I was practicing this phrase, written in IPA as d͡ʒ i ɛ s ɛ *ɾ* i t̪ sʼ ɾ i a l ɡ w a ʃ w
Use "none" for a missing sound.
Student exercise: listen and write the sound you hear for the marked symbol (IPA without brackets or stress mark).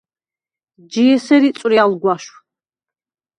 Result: ɾ